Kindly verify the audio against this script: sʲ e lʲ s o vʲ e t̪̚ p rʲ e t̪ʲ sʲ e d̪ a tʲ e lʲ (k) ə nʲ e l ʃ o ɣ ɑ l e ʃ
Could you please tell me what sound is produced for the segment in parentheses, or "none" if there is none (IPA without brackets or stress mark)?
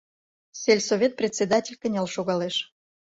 k